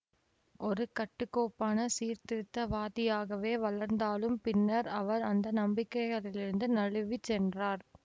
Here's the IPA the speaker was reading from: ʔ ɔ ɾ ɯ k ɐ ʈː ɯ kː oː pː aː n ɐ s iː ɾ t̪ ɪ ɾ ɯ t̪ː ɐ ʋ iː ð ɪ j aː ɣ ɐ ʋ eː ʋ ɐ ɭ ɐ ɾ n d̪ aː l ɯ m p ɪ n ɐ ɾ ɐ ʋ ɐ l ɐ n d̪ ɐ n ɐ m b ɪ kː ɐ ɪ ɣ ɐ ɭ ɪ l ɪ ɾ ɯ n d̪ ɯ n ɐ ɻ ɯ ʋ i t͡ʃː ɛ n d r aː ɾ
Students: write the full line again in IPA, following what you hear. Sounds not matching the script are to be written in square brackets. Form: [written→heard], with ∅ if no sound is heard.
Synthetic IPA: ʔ ɔ ɾ ɯ k ɐ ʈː ɯ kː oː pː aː n ɐ s iː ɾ t̪ ɪ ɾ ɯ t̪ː ɐ ʋ [iː→aː] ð ɪ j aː ɣ ɐ ʋ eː ʋ ɐ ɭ ɐ ɾ n d̪ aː l ɯ m p ɪ [n→nː] ɐ ɾ ɐ ʋ ɐ [l→ɾ] ɐ n d̪ ɐ n ɐ m b ɪ kː ɐ ɪ ɣ ɐ ɭ ɪ l ɪ ɾ ɯ n d̪ ɯ n ɐ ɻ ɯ ʋ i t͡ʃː ɛ n d r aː ɾ